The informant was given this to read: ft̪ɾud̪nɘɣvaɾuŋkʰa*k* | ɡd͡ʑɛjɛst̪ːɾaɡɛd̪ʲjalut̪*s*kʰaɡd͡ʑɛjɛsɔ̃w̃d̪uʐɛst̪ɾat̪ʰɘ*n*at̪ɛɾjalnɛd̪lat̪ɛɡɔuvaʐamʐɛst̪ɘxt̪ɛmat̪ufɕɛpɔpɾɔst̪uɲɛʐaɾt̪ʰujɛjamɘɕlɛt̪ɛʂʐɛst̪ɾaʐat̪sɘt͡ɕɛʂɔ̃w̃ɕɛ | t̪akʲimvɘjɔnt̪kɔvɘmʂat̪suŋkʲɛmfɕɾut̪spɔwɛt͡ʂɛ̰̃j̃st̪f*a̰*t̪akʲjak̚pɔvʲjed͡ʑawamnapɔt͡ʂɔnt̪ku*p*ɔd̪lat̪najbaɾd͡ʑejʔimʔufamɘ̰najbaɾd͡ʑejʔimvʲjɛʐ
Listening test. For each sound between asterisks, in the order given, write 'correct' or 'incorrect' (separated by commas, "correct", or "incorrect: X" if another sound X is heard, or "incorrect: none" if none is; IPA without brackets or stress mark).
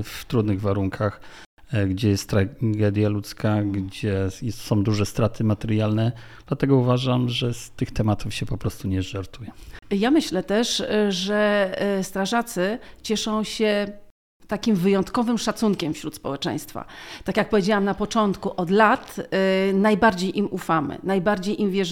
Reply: incorrect: x, correct, incorrect: m, correct, incorrect: ʔ